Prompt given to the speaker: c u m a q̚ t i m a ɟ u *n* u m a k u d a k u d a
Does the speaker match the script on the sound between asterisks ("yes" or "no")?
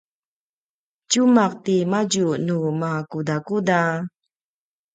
yes